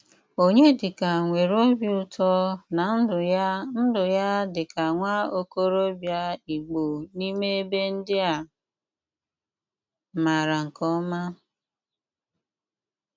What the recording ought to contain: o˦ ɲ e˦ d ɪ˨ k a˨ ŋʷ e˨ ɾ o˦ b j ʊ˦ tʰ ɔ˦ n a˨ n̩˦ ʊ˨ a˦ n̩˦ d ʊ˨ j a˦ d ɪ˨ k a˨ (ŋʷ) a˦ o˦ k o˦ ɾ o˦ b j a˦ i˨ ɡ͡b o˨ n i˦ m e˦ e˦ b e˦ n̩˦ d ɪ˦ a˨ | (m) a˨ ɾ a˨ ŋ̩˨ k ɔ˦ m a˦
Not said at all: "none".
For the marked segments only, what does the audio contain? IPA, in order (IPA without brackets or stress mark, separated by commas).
ŋʷ, m